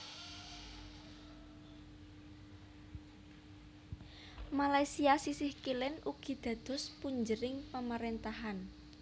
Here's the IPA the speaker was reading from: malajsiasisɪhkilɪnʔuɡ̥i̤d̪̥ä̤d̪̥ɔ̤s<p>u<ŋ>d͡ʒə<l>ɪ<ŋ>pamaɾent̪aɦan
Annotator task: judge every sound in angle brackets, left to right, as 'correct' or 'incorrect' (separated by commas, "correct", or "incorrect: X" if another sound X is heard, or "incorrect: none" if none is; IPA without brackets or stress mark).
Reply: correct, incorrect: ɲ, incorrect: ɾ, correct